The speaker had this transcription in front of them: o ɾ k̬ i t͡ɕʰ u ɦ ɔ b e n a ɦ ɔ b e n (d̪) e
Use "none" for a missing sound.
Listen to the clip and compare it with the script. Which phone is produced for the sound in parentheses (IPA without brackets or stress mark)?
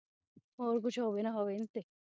t̪